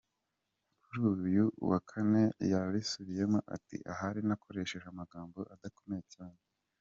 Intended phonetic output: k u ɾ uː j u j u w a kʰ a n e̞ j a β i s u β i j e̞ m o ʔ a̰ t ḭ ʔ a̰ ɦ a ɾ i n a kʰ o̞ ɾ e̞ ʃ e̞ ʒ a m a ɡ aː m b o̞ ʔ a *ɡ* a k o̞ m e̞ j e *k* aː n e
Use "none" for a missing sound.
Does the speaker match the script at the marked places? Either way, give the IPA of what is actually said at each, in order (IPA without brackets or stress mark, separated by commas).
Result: d, c